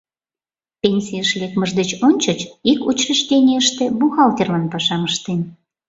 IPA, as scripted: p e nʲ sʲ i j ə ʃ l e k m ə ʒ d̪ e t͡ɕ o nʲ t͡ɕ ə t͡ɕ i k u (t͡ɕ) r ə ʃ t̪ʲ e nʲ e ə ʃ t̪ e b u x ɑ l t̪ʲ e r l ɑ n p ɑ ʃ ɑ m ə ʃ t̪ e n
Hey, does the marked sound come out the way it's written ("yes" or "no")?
yes